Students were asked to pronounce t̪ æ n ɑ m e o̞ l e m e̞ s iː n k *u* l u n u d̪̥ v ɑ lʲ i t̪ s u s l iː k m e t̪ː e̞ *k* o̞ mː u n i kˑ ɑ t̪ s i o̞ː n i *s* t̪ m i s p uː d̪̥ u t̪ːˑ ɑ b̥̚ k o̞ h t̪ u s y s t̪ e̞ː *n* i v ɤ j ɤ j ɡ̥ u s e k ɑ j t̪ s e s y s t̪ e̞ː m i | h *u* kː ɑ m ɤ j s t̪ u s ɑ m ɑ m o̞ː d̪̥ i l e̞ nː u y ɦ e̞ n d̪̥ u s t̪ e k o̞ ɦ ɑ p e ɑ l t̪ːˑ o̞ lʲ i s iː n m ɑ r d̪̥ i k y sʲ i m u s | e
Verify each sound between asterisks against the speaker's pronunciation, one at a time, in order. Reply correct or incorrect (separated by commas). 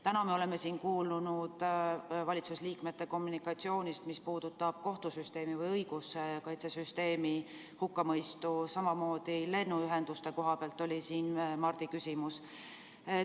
incorrect, correct, correct, incorrect, correct